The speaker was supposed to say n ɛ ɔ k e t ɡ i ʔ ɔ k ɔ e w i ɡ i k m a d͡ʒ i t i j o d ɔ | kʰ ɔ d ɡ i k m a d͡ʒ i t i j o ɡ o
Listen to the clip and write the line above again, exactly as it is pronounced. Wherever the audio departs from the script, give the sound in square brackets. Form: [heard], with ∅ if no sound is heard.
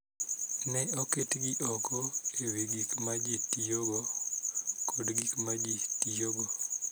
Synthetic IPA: n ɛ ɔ k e t ɡ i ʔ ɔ k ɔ e w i ɡ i k m a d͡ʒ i t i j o [ɡ] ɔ | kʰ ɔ d ɡ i k m a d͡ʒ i t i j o ɡ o